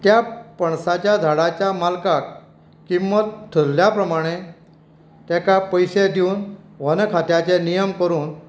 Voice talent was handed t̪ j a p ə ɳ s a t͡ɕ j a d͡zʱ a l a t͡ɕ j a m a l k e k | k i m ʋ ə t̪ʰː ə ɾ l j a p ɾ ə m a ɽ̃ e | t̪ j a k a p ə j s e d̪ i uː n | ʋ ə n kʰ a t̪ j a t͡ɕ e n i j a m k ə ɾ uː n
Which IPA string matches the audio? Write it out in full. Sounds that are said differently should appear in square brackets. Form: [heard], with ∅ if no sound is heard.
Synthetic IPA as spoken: t̪ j a p ə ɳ s a t͡ɕ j a d͡zʱ a [ɽ] a t͡ɕ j a m a l k [a] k | k i m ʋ ə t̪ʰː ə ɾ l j a p ɾ ə m a ɽ̃ e | t̪ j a k a p ə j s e d̪ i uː n | ʋ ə n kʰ a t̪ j a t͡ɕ e n i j [ə] m k ə ɾ uː n